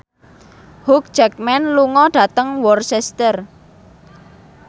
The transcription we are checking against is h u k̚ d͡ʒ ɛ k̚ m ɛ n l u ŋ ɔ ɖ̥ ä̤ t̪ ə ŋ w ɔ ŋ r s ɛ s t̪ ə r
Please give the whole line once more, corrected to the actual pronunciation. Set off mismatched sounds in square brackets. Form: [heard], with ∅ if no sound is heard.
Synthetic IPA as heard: h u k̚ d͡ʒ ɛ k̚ m ɛ n l u ŋ ɔ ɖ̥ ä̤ t̪ ə ŋ w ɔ [∅] r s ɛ s t̪ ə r